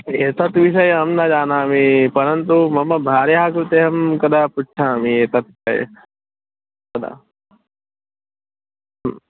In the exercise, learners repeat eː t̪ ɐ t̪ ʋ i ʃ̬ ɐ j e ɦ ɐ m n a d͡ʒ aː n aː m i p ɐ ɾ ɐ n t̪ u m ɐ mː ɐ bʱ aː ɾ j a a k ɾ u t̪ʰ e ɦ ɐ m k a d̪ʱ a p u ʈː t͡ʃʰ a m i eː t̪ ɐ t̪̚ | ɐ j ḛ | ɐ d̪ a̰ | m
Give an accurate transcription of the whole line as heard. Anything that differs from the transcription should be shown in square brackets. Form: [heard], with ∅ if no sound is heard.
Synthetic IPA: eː t̪ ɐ t̪ ʋ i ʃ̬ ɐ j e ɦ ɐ m n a d͡ʒ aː n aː m i p ɐ ɾ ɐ n t̪ u m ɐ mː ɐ bʱ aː ɾ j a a k ɾ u [t̪] e ɦ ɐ m k [ɐ] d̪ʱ a p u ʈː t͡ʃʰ a m i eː t̪ ɐ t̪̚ | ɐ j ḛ | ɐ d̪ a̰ | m